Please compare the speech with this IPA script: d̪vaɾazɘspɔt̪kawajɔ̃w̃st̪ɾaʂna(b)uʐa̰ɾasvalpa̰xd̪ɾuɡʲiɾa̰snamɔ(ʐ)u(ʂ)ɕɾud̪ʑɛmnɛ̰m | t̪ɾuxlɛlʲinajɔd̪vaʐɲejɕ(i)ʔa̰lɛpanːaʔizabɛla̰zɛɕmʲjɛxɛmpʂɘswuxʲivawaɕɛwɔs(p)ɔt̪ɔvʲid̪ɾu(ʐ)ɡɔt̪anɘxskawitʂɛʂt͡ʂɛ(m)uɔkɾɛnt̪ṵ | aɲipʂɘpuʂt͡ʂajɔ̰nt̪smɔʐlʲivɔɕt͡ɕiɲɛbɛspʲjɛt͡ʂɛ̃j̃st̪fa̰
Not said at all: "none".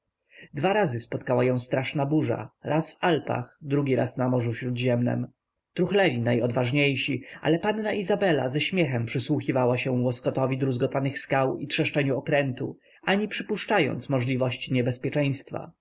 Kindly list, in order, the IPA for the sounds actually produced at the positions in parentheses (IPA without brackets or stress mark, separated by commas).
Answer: b, ʐ, f, i, k, z, ɲ